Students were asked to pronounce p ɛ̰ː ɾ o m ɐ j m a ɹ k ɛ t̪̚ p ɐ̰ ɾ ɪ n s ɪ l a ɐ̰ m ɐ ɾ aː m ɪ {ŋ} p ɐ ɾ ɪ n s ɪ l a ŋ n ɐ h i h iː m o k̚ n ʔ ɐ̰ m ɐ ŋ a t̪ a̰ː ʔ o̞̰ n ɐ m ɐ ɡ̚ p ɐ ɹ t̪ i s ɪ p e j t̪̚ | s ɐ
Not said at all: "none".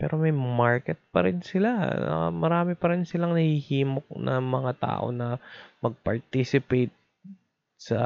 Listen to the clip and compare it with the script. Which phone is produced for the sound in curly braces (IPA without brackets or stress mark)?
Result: none